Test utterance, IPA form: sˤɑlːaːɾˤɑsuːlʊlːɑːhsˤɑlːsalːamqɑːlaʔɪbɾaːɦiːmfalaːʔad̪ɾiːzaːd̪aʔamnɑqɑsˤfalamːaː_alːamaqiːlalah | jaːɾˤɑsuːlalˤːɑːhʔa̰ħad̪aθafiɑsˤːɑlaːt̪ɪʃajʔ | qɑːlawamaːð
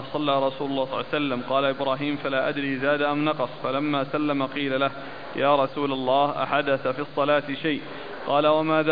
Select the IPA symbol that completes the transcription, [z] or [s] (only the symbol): s